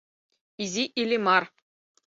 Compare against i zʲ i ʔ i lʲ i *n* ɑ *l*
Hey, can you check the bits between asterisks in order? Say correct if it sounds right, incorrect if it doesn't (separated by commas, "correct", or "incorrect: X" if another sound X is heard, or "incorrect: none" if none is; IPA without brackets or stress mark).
incorrect: m, incorrect: r